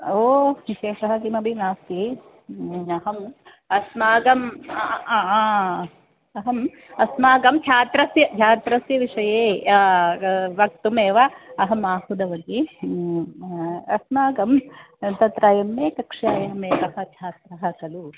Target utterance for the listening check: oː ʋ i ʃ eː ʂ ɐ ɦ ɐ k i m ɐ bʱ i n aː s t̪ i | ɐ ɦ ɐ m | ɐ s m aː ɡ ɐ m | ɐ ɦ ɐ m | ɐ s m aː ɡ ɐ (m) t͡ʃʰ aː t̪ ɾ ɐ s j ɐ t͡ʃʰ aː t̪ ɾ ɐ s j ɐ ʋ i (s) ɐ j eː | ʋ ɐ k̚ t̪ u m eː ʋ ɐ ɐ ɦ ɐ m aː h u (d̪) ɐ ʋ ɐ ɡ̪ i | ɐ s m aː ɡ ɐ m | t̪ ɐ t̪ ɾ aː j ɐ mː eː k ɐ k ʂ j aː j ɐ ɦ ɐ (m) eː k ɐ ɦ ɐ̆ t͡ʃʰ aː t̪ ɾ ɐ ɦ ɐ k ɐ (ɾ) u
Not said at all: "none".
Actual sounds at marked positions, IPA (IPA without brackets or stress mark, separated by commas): m, ʂ, d̪, m, l